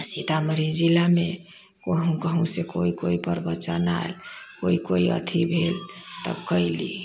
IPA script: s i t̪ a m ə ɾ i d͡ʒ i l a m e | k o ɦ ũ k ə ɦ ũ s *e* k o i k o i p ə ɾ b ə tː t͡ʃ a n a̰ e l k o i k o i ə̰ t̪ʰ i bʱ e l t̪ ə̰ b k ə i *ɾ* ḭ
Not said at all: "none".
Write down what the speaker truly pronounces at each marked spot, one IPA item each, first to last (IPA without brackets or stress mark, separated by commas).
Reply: e, l